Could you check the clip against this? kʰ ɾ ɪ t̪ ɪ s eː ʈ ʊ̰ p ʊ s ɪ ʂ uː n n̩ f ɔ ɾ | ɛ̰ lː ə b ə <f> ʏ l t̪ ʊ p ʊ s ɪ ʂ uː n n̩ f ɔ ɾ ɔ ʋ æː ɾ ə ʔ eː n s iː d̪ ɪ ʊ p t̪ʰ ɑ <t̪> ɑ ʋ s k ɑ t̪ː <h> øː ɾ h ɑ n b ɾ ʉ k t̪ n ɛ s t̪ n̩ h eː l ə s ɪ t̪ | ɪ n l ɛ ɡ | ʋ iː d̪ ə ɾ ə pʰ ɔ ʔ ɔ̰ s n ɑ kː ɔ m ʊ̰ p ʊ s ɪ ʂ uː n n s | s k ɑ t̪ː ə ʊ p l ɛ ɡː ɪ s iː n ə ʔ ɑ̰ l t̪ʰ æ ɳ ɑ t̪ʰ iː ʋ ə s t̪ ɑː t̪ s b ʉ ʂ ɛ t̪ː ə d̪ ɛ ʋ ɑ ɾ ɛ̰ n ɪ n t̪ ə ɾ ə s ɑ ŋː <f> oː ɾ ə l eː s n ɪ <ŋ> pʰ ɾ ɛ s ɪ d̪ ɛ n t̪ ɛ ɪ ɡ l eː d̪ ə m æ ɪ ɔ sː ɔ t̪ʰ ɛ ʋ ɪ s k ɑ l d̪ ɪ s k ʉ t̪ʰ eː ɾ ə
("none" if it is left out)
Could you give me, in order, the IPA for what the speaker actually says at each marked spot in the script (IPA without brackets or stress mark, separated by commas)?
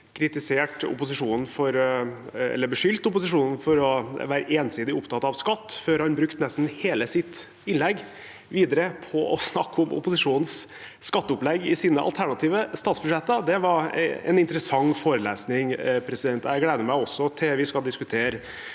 ʂ, t̪, f, f, ŋ